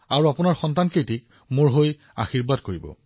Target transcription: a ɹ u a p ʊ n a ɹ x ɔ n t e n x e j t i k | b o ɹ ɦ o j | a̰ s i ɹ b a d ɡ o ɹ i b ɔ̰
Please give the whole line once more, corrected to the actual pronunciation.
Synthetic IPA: a ɹ u a p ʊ n a ɹ x ɔ n t a n k e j t i k | m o ɹ ɦ o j | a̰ x i ɹ b a d k o ɹ i b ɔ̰